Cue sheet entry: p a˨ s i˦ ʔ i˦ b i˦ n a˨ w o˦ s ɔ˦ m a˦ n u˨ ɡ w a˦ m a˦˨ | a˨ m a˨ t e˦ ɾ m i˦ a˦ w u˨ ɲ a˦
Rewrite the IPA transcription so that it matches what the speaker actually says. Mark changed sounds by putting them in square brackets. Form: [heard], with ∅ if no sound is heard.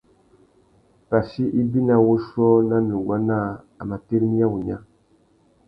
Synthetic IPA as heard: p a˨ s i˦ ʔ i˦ b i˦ n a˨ w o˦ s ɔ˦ [n] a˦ n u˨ ɡ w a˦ [n] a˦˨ | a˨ m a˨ t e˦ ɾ m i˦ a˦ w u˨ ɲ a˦